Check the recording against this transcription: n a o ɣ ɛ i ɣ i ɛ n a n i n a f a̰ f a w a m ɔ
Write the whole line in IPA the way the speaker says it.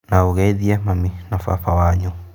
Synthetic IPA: n a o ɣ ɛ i ð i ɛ m a m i n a f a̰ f a w a ɲ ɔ

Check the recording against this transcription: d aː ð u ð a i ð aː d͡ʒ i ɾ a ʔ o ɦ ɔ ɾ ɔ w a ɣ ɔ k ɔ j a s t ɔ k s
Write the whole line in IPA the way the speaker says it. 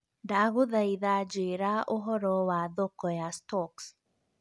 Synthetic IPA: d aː ɣ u ð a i ð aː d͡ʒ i ɾ a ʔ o ɦ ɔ ɾ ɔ w a ð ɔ k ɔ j a s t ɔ k s

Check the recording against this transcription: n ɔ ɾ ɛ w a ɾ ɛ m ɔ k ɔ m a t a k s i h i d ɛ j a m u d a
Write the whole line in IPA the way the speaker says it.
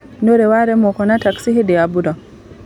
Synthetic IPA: n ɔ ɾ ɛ w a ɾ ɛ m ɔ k ɔ n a t a k s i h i d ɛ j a b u d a

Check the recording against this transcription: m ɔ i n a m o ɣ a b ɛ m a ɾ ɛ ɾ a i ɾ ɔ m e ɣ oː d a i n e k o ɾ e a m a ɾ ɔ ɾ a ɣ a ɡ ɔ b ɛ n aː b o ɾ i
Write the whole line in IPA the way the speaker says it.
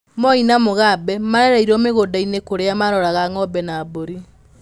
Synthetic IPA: m ɔ i n a m o ɣ a b ɛ m a ɾ ɛ ɾ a i ɾ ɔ m e ɣ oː d a i n e k o ɾ e a m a ɾ ɔ ɾ a ɣ a ŋ ɔ b ɛ n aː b o ɾ i

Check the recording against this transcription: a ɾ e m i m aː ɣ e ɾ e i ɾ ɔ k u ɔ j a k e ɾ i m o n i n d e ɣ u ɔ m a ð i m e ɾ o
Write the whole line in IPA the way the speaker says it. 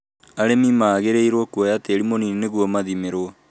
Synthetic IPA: a ɾ e m i m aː ɣ e ɾ e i ɾ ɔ k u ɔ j a t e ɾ i m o n i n n e ɣ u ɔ m a ð i m e ɾ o

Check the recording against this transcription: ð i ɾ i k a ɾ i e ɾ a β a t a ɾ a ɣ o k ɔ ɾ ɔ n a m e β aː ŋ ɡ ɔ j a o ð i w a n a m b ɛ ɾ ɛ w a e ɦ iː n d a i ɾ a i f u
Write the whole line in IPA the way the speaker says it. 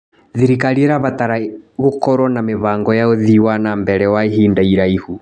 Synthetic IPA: ð i ɾ i k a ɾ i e ɾ a β a t a ɾ a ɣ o k ɔ ɾ ɔ n a m e β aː ŋ ɡ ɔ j a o ð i w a n a m b ɛ ɾ ɛ w a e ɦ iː n d a i ɾ a i h u

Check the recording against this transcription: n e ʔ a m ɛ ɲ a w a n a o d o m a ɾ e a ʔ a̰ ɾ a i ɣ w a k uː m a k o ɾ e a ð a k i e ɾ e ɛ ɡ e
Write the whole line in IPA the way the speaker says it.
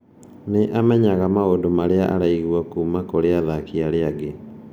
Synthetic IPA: n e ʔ a m ɛ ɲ a ɣ a m a o d o m a ɾ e a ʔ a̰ ɾ a i ɣ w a k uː m a k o ɾ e a ð a k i a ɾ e a ɡ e

